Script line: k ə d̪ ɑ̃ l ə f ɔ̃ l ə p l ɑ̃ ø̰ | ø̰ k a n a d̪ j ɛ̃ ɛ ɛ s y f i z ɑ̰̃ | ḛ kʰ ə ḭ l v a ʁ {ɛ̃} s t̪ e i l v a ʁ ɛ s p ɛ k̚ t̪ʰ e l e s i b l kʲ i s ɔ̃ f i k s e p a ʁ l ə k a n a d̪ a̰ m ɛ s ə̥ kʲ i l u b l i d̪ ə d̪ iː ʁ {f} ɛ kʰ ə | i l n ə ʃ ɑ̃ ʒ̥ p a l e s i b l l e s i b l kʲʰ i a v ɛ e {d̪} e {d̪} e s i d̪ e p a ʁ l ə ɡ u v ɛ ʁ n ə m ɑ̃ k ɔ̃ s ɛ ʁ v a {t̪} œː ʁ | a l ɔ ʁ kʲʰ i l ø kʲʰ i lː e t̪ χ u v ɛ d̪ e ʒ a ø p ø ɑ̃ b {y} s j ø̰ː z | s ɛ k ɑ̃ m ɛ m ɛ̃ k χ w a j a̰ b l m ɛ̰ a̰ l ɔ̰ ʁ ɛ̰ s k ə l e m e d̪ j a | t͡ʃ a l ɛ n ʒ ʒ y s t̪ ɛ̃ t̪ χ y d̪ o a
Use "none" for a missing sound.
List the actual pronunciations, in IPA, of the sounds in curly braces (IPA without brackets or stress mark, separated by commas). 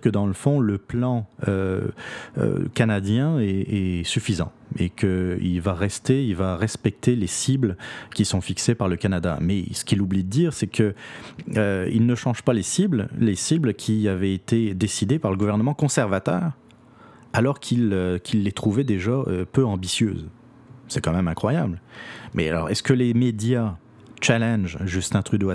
ɛ, s, t̪, d̪, t̪, i